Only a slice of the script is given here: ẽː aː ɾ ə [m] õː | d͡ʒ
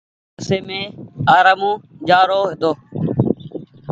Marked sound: correct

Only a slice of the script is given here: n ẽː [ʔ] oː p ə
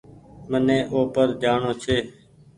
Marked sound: correct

